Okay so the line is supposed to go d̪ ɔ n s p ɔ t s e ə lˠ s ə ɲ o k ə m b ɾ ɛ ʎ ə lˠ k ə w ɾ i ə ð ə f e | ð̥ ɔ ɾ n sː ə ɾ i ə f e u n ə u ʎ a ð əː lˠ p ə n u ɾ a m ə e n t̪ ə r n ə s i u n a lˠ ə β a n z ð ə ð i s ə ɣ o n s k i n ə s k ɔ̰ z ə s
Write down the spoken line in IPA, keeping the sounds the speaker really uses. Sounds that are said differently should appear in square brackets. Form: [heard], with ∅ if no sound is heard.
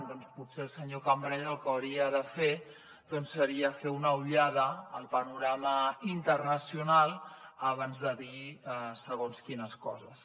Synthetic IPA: d̪ ɔ n s p [u] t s e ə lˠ s ə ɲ o k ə m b ɾ ɛ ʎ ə lˠ k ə w ɾ i ə ð ə f e | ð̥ ɔ [∅] n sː ə ɾ i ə f e u n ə u ʎ a ð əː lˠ p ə n u ɾ a m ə [i] n t̪ ə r n ə s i u n a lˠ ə β a n z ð ə ð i s ə ɣ o n s k i n ə s k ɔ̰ z ə s

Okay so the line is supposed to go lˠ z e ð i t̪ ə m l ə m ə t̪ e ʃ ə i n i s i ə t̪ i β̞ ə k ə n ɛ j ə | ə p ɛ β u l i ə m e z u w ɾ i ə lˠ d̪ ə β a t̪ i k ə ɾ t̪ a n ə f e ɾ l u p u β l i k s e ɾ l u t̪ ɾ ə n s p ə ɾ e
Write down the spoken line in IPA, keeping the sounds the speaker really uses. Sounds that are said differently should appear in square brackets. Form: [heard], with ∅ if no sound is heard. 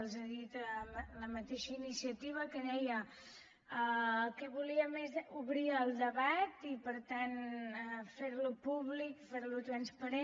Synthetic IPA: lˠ z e ð i t̪ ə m l ə m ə t̪ e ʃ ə i n i s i ə t̪ i β̞ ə k ə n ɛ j ə | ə [k] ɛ β u l i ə m e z u [β] ɾ i ə lˠ d̪ ə β a t̪ i [p] ə ɾ t̪ a n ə f e ɾ l u p u β l i k [f] e ɾ l u t̪ ɾ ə n s p ə ɾ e

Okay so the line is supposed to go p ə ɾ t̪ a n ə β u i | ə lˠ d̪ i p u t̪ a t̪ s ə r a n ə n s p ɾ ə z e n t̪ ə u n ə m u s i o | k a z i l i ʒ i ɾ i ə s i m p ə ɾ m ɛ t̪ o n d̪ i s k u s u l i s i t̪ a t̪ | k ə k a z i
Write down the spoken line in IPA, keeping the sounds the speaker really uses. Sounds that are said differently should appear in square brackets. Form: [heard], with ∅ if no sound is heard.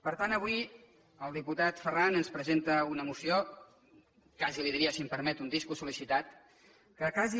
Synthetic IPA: p ə ɾ t̪ a n ə β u i | ə lˠ d̪ i p u t̪ a t̪ [f] ə r a n ə n s p ɾ ə z e n t̪ ə u n ə m u s i o | k a z i l i [ð] i ɾ i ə s i m p ə ɾ m ɛ t̪ [u] n d̪ i s k u s u l i s i t̪ a t̪ | k ə k a z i

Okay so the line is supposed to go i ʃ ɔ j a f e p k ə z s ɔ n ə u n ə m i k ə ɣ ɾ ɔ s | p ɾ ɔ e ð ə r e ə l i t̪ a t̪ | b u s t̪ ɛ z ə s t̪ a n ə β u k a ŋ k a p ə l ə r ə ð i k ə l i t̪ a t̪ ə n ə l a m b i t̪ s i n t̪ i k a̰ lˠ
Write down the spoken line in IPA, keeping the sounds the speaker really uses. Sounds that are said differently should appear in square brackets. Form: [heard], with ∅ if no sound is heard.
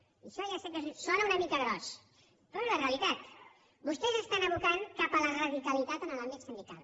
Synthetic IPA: i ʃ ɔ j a [s] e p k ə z s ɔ n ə u n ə m i k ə ɣ ɾ ɔ s | p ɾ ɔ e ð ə r e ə l i t̪ a t̪ | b u s t̪ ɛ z ə s t̪ a n ə β u k a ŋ k a p ə l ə r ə ð i k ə l i t̪ a t̪ ə n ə l a m b i t̪ s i n [d̪] i k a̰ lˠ

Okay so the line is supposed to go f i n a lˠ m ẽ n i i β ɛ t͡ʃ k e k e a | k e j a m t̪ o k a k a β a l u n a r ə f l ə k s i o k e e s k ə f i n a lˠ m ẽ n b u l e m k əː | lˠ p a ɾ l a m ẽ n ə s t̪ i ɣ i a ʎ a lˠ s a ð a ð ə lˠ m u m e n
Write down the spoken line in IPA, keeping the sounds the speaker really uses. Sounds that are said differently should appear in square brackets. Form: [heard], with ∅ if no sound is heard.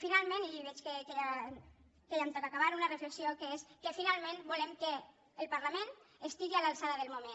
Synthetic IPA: f i n a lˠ m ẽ n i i β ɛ t͡ʃ k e k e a | k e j a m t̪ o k a k a β a [ɾ] u n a r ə f l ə k s i o k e e s k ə f i n a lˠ m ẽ n b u l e m k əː | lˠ p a ɾ l a m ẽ n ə s t̪ i ɣ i a [l] a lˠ s a ð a ð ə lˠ m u m e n

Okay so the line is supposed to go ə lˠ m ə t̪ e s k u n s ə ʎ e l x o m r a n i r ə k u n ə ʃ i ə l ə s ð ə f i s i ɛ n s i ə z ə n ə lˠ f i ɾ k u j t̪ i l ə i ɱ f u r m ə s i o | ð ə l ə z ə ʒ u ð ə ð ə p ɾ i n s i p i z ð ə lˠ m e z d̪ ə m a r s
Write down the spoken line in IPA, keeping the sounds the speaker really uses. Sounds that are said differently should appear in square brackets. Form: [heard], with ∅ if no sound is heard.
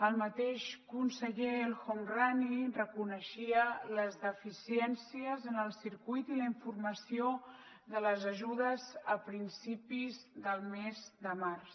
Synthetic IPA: ə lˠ m ə t̪ e [ʃ] k u n s ə ʎ e l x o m r a n i r ə k u n ə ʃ i ə l ə [z] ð ə f i s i ɛ n s i ə z ə n ə lˠ [s] i ɾ k u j t̪ i l ə i ɱ f u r m ə s i o | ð ə l ə z ə ʒ u ð ə [z] ə p ɾ i n s i p i z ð ə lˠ m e z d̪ ə m a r s

